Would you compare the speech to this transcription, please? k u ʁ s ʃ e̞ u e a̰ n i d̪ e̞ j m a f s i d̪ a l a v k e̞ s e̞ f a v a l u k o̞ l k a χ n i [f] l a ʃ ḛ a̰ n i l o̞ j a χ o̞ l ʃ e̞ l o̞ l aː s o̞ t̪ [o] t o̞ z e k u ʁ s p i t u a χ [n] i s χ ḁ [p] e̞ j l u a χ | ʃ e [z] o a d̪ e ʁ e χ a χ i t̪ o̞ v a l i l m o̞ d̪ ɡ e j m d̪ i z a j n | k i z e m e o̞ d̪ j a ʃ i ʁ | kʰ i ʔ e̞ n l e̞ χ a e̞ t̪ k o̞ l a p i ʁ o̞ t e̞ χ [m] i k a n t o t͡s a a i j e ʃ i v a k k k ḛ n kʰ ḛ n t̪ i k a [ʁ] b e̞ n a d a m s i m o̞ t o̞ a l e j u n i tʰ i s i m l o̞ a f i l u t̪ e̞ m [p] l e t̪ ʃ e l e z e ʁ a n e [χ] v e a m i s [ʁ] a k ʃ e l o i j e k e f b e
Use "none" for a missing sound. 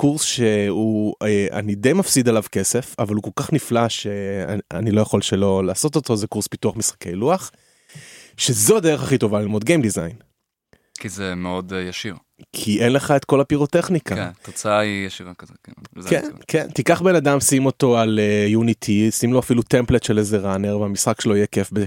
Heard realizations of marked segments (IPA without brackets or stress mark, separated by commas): f, o, m, k, z, n, χ, p, ʁ, χ